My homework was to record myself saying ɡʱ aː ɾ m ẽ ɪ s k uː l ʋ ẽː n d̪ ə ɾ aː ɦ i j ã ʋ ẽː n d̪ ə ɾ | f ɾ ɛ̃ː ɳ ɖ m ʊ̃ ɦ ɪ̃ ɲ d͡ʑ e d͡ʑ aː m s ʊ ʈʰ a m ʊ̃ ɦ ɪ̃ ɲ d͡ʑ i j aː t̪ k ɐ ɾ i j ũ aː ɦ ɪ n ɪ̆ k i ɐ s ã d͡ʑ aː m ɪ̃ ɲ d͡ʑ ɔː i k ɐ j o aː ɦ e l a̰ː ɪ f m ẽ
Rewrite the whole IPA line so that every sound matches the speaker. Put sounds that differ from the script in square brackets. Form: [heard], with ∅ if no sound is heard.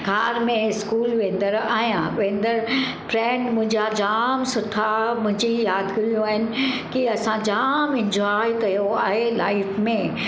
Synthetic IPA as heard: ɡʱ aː ɾ m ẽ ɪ s k uː l ʋ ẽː n d̪ ə ɾ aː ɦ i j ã ʋ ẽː n d̪ ə ɾ | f ɾ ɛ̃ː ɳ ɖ m ʊ̃ ɦ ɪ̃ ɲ d͡ʑ [a] d͡ʑ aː m s ʊ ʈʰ a m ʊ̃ ɦ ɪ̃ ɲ d͡ʑ i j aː [d̪] k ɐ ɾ i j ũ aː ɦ ɪ n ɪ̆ k i ɐ s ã d͡ʑ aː m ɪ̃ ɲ d͡ʑ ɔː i k ɐ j o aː ɦ e l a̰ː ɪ f m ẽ